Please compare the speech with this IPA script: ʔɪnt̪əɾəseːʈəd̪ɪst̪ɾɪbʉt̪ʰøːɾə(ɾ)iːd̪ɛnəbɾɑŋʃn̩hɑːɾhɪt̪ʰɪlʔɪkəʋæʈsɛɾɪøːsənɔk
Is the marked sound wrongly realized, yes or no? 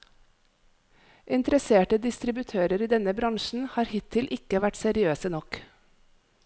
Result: no